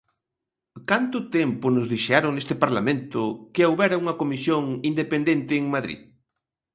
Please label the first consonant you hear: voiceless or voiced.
voiceless